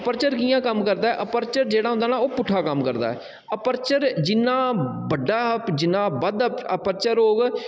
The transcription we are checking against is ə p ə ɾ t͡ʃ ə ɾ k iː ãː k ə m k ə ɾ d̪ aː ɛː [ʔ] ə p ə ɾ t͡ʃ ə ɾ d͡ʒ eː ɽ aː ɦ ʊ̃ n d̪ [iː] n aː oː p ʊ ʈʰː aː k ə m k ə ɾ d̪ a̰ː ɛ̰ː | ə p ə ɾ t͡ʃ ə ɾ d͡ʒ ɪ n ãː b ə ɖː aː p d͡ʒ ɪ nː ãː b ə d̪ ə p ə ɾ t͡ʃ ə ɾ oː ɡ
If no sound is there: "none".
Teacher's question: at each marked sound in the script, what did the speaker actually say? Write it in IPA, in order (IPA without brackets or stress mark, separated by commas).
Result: ʔ, aː